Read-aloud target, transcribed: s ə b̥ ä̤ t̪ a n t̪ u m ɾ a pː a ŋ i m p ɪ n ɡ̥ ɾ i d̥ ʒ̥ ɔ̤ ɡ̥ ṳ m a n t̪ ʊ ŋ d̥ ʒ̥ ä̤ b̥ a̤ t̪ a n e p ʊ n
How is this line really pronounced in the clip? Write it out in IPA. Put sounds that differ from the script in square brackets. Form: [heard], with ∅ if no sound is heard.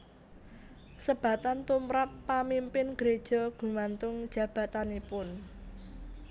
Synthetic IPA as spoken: s ə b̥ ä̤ t̪ a n t̪ u m ɾ a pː a [m] i m p ɪ n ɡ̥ ɾ [e] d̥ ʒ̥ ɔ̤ ɡ̥ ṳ m a n t̪ ʊ ŋ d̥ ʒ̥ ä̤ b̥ a̤ t̪ a n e p ʊ n